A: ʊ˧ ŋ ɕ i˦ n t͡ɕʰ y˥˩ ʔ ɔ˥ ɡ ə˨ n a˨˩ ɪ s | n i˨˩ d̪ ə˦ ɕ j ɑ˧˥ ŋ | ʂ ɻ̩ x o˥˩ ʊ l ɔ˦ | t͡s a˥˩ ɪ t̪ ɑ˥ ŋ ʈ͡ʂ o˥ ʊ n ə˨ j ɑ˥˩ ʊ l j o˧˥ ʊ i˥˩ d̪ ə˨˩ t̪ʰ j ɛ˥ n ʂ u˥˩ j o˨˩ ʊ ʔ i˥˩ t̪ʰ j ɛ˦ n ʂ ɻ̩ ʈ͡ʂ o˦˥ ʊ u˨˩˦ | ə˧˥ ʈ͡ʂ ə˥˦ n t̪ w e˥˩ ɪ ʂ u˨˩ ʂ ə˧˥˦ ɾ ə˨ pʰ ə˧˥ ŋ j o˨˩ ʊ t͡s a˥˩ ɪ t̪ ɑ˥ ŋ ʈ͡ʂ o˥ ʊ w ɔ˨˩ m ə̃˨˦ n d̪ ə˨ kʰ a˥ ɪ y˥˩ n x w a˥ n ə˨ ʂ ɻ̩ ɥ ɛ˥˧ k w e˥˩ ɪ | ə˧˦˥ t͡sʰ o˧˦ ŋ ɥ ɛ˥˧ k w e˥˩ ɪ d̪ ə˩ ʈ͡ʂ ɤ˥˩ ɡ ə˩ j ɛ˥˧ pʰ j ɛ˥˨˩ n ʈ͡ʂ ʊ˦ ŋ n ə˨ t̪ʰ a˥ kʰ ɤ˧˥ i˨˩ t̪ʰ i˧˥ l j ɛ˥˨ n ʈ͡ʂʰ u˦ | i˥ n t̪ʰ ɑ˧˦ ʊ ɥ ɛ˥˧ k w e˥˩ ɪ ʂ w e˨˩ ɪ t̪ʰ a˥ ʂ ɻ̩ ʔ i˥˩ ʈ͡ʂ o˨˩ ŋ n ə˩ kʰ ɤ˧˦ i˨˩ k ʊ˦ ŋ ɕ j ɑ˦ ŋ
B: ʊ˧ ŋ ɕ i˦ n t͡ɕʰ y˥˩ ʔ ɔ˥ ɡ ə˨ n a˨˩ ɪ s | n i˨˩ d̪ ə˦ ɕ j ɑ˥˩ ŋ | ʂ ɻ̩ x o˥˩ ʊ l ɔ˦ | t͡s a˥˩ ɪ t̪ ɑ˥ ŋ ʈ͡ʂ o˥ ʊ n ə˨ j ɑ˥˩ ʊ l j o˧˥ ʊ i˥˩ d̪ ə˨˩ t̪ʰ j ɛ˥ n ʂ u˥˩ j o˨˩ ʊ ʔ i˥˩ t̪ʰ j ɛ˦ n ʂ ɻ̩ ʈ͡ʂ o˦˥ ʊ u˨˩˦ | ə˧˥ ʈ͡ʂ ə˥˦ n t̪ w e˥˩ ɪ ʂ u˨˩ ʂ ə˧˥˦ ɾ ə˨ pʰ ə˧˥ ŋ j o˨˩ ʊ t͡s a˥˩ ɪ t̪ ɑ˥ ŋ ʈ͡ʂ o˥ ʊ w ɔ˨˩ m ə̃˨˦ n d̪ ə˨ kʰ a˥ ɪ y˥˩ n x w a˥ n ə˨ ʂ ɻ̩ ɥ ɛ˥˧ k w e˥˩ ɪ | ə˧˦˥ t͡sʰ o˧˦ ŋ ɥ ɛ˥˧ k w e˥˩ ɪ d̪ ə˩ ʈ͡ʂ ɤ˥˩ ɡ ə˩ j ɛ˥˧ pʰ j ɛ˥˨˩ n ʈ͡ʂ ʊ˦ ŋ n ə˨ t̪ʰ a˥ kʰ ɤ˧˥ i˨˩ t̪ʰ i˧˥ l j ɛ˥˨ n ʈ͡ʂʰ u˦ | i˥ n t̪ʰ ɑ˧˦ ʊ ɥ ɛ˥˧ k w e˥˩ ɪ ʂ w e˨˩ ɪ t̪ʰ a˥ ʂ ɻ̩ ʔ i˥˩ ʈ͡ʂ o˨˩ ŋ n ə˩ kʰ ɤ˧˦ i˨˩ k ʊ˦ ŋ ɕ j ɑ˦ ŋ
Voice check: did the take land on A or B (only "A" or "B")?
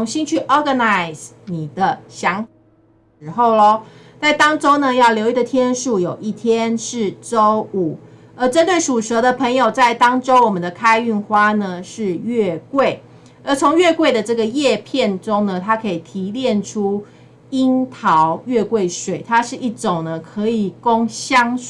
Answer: A